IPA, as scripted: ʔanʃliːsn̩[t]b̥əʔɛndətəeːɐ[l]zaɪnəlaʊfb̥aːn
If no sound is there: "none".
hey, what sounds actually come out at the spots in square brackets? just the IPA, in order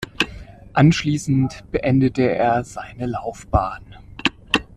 t, none

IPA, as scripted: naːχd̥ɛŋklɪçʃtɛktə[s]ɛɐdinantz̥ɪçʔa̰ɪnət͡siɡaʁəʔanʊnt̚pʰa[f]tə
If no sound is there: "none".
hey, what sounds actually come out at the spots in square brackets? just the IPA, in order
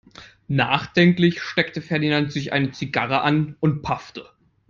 f, f

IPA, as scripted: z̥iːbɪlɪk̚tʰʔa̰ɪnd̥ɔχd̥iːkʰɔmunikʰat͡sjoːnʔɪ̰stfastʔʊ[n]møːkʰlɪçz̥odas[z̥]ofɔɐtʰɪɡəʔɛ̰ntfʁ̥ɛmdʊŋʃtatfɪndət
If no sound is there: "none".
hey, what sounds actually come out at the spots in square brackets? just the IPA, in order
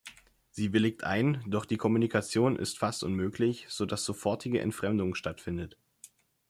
n, z̥

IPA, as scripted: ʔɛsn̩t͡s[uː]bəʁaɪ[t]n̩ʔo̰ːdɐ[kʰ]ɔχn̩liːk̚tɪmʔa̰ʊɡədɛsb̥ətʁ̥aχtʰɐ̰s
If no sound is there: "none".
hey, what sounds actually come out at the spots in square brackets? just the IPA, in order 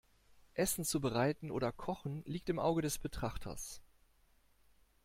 u, t, kʰ

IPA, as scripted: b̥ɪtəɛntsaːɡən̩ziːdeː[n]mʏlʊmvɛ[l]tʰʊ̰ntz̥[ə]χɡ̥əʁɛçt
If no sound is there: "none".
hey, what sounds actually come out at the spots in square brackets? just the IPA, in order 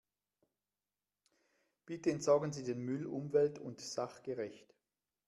n, l, a

